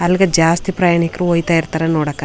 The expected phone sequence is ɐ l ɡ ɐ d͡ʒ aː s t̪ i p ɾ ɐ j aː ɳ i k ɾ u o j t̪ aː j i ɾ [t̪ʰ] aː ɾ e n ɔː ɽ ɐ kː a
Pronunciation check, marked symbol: incorrect: t̪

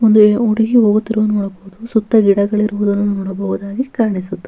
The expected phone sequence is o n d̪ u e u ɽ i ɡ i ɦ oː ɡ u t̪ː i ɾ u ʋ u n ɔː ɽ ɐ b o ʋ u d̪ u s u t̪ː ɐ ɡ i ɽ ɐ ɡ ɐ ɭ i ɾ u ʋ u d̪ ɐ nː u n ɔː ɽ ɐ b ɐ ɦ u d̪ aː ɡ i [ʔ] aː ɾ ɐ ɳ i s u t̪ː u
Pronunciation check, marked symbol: incorrect: k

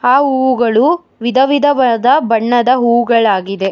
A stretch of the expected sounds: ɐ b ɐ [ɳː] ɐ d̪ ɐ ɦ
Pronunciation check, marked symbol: correct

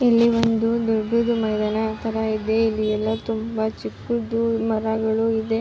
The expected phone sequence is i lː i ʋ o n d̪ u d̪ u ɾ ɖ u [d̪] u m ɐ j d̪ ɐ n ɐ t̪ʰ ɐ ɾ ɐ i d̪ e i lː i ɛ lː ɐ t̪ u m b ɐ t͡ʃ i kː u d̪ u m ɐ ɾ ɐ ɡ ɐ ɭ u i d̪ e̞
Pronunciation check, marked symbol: correct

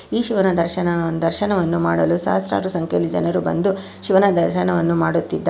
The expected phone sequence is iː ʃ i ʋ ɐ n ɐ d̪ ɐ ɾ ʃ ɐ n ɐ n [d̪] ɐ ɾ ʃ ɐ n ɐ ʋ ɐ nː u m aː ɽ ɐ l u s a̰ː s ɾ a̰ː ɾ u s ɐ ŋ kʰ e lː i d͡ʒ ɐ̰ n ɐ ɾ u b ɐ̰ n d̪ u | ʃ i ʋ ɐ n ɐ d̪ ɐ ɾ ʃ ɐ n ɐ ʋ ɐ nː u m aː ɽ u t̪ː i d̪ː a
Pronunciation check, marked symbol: correct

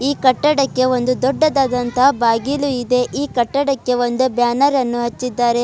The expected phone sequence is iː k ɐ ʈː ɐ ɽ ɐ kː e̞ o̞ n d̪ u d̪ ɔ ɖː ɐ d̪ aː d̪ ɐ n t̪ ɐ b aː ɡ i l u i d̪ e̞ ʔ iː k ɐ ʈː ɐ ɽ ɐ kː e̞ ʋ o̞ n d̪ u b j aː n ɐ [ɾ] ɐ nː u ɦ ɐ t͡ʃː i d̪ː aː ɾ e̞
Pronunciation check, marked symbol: correct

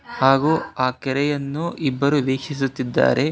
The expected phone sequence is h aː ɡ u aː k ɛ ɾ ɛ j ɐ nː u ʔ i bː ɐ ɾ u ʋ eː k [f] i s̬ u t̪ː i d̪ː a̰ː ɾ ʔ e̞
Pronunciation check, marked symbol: incorrect: ʂ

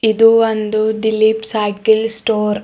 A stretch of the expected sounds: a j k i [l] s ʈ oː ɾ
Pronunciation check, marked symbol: correct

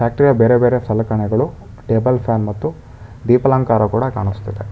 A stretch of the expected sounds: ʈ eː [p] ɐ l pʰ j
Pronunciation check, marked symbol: incorrect: b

